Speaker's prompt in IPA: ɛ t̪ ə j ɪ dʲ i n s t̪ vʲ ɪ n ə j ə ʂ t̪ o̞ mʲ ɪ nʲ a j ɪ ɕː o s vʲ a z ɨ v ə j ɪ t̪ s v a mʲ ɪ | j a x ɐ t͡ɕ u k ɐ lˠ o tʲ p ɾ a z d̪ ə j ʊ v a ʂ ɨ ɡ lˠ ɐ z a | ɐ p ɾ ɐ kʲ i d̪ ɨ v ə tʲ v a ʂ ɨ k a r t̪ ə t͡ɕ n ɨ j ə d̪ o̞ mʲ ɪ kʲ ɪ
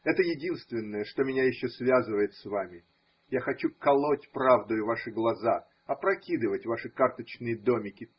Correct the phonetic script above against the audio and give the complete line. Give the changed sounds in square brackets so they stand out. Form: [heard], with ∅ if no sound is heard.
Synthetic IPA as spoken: ɛ t̪ ə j ɪ dʲ i n s t̪ vʲ ɪ [nː] ə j ə ʂ t̪ o̞ mʲ ɪ nʲ a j ɪ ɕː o s vʲ a z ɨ v ə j ɪ t̪ s v a mʲ ɪ | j a x ɐ t͡ɕ u k ɐ lˠ o tʲ p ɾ a [v] d̪ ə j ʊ v a ʂ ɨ ɡ lˠ ɐ z a | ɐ p ɾ ɐ kʲ i d̪ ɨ v ə tʲ v a ʂ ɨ k a r t̪ ə t͡ɕ n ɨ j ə d̪ o̞ mʲ ɪ kʲ ɪ

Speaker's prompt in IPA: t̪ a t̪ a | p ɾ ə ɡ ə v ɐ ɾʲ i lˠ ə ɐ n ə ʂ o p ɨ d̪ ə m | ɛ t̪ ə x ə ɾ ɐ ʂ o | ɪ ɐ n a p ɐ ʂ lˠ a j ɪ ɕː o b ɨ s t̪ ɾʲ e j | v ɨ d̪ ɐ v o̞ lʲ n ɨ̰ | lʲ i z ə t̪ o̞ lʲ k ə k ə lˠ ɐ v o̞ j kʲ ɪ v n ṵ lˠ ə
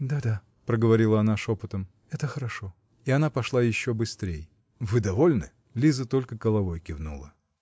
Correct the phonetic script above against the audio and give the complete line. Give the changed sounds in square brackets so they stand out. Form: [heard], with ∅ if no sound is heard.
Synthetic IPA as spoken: [d̪] a [d̪] a | p ɾ ə ɡ ə v ɐ ɾʲ i lˠ ə ɐ n [a] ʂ o p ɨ [t̪] ə m | ɛ t̪ ə x ə ɾ ɐ ʂ o | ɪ ɐ n a p ɐ ʂ lˠ a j ɪ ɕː o b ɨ s t̪ ɾʲ e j | v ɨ d̪ ɐ v o̞ lʲ n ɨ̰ | lʲ i z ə t̪ o̞ lʲ k ə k ə lˠ ɐ v o̞ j kʲ ɪ v n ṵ lˠ ə

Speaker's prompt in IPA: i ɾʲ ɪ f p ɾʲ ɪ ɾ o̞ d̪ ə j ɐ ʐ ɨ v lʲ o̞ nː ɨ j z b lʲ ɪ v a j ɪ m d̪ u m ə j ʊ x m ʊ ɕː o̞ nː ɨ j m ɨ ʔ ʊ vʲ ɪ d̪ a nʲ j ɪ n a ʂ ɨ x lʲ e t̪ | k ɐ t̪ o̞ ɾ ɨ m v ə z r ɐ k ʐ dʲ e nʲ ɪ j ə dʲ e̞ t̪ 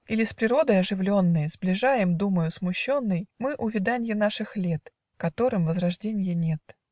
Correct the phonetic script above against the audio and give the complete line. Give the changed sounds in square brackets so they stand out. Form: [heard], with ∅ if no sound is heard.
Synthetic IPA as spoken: i [lʲ] ɪ [s] p ɾʲ ɪ ɾ o̞ d̪ ə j ɐ ʐ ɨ v lʲ o̞ nː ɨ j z b lʲ ɪ [ʐ] a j ɪ m d̪ u m ə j ʊ [s] m ʊ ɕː o̞ nː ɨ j m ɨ ʔ ʊ vʲ ɪ d̪ a nʲ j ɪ n a ʂ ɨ x lʲ e t̪ | k ɐ t̪ o̞ ɾ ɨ m v ə z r ɐ [∅] ʐ dʲ e nʲ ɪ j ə [nʲ] e̞ t̪

